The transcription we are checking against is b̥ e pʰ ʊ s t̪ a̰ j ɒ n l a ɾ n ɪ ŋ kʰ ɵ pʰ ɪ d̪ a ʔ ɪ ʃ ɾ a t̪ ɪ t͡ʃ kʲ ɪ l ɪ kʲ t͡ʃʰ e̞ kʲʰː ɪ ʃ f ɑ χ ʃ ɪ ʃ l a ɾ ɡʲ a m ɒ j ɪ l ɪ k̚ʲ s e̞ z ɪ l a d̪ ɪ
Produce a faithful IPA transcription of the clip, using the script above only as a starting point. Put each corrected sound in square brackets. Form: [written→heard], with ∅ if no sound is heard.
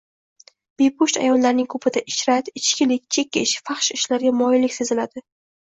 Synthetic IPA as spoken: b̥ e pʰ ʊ [s→ʃ] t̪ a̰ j ɒ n l a ɾ n ɪ ŋ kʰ ɵ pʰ ɪ d̪ a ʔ ɪ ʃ ɾ a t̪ ɪ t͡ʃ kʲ ɪ l ɪ kʲ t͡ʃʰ e̞ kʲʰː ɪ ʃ f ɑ χ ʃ ɪ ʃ l a ɾ ɡʲ a m ɒ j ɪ l ɪ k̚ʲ s e̞ z ɪ l a d̪ ɪ